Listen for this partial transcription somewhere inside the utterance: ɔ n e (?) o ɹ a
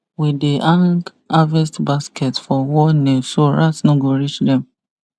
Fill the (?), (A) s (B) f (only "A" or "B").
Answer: A